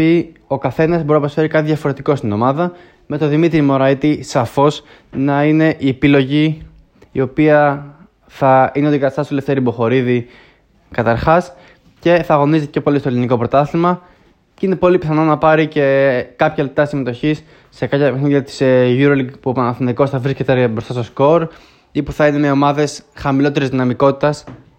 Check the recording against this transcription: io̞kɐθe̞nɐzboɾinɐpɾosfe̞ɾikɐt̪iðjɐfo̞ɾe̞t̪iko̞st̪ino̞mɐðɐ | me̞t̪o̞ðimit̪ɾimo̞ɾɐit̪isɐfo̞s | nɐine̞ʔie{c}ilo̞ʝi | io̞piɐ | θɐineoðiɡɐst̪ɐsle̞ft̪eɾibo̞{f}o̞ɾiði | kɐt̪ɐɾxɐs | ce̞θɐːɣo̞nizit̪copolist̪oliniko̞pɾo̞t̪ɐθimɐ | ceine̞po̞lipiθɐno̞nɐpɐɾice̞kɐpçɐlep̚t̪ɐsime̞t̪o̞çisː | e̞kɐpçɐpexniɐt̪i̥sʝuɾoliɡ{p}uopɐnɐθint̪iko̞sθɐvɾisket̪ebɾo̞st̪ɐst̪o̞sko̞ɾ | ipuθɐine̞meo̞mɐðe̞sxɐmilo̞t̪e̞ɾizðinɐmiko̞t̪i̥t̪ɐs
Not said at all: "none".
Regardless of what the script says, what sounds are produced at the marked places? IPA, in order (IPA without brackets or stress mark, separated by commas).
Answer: p, x, p